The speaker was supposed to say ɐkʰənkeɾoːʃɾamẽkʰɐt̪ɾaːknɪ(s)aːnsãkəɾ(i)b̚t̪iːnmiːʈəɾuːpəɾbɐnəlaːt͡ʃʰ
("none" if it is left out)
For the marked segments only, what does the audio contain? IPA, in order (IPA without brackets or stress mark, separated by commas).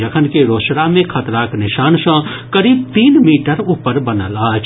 ʃ, iː